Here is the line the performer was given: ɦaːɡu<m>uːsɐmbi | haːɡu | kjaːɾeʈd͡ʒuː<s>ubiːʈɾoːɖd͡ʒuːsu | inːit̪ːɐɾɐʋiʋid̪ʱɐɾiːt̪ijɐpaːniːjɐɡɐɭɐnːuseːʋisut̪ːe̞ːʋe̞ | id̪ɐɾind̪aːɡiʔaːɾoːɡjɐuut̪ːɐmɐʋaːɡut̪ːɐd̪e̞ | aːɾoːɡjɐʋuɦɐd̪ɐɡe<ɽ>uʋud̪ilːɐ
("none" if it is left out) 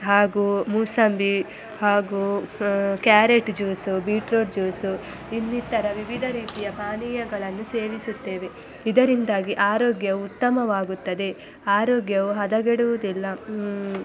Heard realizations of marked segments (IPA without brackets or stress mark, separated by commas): m, s, ɽ